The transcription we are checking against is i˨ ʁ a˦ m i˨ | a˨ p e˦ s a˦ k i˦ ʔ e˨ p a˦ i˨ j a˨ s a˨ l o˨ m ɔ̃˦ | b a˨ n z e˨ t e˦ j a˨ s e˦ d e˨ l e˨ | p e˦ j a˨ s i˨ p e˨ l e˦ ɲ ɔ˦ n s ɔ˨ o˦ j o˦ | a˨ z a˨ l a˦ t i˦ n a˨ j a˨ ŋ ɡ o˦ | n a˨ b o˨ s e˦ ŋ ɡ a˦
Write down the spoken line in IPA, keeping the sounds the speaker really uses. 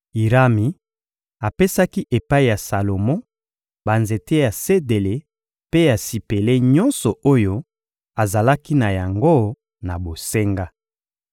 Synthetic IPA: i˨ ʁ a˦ m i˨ | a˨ p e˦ s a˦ k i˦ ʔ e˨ p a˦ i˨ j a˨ s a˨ l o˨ m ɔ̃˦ | b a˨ n z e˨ t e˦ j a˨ s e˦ d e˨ l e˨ | p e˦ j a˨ s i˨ p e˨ l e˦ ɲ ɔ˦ n s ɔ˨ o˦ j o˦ | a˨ z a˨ l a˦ k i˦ n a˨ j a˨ ŋ ɡ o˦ | n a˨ b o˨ s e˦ ŋ ɡ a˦

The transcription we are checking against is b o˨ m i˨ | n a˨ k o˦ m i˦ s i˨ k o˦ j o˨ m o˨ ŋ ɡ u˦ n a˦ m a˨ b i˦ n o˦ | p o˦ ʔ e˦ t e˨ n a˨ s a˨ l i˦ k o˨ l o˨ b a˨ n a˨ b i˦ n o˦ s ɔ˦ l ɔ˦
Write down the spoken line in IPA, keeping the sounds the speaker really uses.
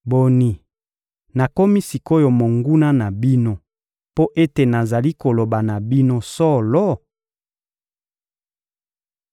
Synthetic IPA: b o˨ n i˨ | n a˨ k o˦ m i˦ s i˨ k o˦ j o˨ m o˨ ŋ ɡ u˦ n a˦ n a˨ b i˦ n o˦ | p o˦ ʔ e˦ t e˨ n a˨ z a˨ l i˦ k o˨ l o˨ b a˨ n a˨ b i˦ n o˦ s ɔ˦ l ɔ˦

